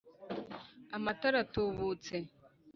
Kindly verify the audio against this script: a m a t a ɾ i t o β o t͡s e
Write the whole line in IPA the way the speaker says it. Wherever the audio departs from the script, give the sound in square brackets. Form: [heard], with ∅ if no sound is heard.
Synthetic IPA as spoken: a m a t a ɾ [a] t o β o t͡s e

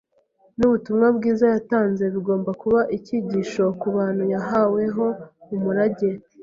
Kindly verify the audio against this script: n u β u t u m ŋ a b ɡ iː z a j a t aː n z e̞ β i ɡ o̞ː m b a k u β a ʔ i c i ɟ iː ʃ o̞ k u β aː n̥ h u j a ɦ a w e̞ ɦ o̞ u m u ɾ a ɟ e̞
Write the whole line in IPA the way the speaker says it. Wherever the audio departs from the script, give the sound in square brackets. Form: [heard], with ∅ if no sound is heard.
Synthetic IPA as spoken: n u β u t u m ŋ a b ɡ iː z a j a t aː n z e̞ β i ɡ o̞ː m b a k u β a ʔ i c i ɟ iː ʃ o̞ k u β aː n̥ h u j a ɦ a w e̞ ɦ o̞ u m u ɾ a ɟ e̞

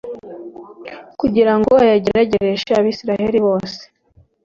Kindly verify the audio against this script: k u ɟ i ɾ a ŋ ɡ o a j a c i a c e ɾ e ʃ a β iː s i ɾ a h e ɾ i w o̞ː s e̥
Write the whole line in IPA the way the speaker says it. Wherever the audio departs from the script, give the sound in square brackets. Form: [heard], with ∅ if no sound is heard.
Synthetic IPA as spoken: k u ɟ i ɾ a ŋ ɡ o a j a [ɟ] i a [ɟ] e ɾ e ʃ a β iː s i ɾ a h e ɾ i [β] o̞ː s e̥

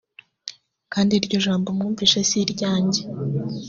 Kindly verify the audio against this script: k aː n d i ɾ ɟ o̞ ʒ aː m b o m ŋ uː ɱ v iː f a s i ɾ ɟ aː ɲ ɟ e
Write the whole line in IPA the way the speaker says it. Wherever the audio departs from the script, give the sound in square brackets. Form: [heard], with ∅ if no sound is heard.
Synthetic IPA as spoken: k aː n d i ɾ ɟ o̞ ʒ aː m b o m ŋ uː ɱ v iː [ʃ] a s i ɾ ɟ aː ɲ ɟ e

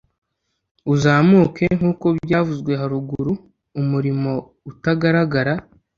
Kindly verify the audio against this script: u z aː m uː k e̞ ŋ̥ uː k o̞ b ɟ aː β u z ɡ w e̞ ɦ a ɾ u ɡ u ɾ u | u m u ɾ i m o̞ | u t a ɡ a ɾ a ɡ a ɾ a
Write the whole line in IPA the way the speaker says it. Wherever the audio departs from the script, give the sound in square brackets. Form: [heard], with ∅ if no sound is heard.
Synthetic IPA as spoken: u z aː m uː k e̞ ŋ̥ uː k o̞ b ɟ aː [v] u z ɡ w e̞ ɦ a ɾ u ɡ u ɾ u | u m u ɾ i m o̞ | u t a ɡ a ɾ a ɡ a ɾ a

